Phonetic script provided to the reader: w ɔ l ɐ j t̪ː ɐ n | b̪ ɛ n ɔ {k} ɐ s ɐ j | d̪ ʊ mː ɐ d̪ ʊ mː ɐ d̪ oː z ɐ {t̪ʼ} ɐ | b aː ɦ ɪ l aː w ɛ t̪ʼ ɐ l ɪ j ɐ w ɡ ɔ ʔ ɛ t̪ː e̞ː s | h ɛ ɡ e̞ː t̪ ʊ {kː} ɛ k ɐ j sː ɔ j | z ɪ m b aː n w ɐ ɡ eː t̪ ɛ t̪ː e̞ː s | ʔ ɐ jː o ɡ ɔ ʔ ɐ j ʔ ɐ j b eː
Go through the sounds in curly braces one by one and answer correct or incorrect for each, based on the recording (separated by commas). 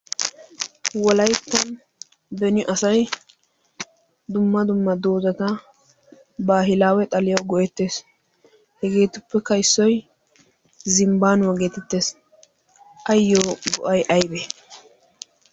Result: incorrect, incorrect, incorrect